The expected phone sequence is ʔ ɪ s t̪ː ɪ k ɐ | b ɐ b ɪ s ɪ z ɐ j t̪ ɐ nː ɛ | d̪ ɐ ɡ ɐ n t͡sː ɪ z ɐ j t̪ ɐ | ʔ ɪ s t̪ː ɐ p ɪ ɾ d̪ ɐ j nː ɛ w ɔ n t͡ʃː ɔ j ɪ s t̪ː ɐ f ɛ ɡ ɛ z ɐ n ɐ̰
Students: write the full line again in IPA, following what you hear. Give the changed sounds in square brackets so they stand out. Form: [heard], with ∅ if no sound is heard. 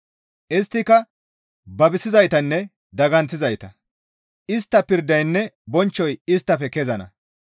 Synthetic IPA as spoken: ʔ ɪ s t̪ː ɪ k ɐ | b ɐ b ɪ s ɪ z ɐ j t̪ ɐ nː ɛ | d̪ ɐ ɡ ɐ n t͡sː ɪ z ɐ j t̪ ɐ | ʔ ɪ s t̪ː ɐ p ɪ ɾ d̪ ɐ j nː ɛ [b] ɔ n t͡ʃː ɔ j ɪ s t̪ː ɐ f ɛ [k] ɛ z ɐ n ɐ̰